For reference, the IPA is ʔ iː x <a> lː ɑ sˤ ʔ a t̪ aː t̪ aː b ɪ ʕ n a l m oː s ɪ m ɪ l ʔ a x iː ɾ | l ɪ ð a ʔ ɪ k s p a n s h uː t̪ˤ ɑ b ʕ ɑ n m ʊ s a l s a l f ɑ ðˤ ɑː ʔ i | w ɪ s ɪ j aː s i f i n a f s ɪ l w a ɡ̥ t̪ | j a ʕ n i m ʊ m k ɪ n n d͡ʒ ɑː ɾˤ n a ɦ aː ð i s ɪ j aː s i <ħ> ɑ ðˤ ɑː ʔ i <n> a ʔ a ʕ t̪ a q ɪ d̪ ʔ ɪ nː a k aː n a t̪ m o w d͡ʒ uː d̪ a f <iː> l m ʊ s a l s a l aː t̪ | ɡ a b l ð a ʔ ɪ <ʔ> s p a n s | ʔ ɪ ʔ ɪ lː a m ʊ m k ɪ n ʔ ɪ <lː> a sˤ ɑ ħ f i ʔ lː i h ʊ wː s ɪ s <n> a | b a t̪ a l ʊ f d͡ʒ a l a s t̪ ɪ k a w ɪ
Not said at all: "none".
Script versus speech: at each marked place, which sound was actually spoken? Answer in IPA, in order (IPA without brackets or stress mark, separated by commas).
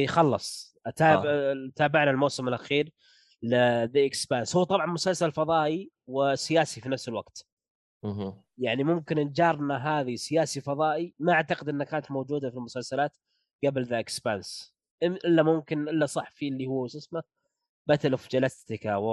ɑ, f, m, i, k, lː, m